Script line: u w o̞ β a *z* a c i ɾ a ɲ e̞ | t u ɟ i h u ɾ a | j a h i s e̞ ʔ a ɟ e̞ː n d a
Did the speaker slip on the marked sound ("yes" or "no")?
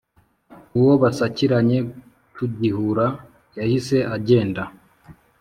yes